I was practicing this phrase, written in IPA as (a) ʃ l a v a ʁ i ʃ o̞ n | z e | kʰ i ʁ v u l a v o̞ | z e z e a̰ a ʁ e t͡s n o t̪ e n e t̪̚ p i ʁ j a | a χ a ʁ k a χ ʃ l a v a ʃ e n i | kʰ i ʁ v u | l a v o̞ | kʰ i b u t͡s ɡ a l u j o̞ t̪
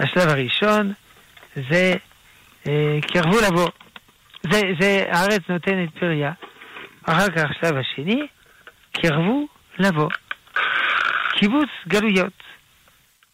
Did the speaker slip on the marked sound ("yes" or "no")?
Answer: no